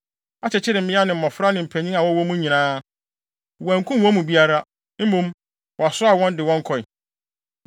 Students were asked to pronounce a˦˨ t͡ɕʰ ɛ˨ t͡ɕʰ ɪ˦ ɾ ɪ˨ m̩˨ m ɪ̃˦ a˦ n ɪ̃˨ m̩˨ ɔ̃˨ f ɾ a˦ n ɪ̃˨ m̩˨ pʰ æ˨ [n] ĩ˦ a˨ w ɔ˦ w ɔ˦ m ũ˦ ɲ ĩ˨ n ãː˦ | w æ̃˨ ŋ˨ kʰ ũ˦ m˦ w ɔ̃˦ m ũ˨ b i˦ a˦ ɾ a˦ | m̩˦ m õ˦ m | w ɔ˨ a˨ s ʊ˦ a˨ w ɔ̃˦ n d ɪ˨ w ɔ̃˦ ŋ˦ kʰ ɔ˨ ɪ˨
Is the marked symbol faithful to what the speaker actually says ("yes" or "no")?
no